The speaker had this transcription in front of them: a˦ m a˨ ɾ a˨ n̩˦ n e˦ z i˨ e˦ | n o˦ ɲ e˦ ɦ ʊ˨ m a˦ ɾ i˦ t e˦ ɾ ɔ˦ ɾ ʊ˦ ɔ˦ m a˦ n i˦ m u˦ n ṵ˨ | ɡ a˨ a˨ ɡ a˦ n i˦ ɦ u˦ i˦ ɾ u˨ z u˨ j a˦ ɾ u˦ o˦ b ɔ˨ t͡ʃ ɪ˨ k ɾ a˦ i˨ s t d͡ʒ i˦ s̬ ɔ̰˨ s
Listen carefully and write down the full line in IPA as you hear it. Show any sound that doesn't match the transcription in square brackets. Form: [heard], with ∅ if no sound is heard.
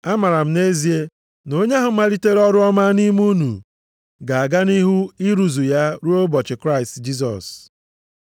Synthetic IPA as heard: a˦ m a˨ ɾ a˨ [m̩˦] n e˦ z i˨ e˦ | n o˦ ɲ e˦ ɦ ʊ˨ m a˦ ɾ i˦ t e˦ ɾ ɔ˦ ɾ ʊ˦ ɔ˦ m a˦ n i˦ m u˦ n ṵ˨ | ɡ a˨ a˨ ɡ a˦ n i˦ ɦ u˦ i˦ ɾ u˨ z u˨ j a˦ ɾ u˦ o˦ b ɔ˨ t͡ʃ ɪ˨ k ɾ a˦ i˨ s t d͡ʒ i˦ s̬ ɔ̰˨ s